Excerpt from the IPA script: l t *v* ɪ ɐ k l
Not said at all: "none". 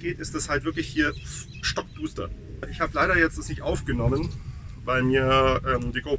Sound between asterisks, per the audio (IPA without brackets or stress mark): v